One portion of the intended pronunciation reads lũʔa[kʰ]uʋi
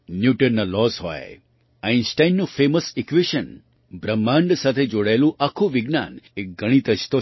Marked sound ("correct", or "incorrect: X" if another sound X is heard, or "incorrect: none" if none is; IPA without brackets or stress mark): correct